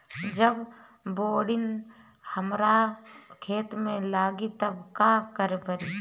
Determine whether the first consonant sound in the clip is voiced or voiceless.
voiced